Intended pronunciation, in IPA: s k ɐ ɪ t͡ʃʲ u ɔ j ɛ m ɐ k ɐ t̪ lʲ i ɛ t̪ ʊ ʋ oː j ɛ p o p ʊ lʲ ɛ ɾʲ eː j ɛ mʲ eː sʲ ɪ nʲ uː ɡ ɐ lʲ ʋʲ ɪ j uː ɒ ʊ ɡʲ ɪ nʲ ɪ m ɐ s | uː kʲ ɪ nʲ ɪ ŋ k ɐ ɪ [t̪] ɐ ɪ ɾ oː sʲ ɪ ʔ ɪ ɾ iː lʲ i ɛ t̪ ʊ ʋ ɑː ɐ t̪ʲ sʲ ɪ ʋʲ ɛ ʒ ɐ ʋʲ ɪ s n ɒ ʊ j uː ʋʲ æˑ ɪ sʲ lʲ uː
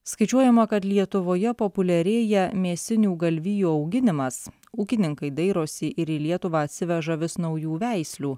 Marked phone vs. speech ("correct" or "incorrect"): incorrect